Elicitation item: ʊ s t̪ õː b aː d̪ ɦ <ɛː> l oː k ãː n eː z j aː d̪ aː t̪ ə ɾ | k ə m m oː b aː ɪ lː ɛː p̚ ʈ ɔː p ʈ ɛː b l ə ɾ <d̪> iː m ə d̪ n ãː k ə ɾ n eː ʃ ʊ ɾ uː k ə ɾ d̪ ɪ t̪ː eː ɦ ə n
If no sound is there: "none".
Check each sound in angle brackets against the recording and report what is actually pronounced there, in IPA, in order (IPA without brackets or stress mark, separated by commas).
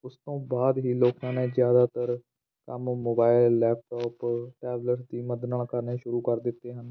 iː, d̪